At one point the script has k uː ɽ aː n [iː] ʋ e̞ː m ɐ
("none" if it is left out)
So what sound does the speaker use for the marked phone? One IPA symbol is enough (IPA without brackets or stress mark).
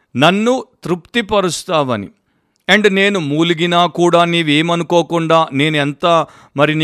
iː